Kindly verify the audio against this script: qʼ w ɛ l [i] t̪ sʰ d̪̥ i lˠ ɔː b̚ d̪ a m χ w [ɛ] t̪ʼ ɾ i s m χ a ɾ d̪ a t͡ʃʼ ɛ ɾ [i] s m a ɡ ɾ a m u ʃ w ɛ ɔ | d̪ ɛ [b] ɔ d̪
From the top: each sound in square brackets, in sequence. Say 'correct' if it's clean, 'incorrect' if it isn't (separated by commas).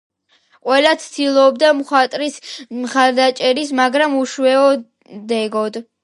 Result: incorrect, incorrect, correct, incorrect